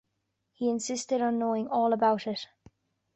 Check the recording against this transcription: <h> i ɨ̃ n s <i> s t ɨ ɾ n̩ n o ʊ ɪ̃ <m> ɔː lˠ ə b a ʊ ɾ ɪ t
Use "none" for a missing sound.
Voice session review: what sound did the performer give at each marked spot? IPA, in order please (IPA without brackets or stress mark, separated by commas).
h, ɪ, ŋ